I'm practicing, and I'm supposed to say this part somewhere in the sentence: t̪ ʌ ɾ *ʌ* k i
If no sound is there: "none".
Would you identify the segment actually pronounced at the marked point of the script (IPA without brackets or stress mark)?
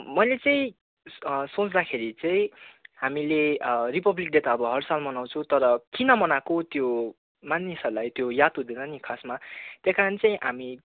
ʌ